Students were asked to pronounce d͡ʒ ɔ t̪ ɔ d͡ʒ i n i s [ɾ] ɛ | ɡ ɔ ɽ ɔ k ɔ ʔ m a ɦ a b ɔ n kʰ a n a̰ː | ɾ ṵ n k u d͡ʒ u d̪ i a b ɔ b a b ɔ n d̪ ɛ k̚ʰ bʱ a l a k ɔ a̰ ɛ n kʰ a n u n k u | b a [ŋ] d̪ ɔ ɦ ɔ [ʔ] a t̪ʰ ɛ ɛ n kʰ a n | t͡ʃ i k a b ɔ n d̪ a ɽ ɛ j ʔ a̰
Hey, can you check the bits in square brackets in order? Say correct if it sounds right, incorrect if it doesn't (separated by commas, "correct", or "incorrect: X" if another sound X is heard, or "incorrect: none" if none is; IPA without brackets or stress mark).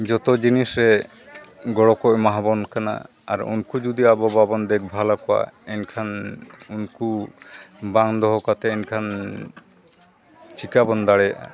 correct, correct, incorrect: k